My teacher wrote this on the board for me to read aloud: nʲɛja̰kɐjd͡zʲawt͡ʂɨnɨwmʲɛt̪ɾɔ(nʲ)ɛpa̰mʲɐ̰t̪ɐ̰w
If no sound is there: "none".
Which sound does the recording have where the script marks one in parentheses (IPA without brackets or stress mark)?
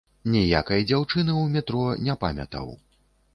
nʲ